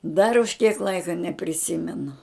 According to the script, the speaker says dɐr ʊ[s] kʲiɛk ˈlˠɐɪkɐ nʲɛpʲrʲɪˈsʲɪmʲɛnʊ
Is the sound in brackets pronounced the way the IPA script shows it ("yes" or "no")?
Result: no